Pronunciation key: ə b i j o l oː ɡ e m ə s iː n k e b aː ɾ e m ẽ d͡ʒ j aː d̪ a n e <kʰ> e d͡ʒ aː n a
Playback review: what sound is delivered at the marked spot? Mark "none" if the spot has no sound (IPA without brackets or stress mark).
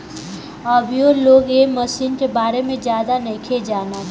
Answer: kʰ